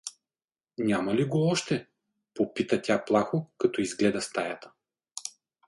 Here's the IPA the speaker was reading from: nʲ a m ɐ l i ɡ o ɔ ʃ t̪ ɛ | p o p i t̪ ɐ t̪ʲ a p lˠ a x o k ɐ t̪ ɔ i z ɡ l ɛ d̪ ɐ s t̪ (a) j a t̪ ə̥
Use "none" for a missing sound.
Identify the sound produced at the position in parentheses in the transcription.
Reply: a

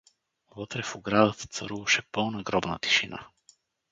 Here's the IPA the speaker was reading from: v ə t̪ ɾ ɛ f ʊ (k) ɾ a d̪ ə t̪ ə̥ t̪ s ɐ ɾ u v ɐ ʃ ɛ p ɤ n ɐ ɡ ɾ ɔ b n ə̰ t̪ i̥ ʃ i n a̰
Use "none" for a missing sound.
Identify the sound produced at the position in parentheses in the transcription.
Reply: ɡ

